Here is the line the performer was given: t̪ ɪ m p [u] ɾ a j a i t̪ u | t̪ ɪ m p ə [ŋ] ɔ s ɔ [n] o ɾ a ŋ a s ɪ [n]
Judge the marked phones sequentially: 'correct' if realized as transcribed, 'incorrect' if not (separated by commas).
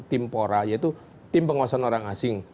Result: incorrect, correct, correct, incorrect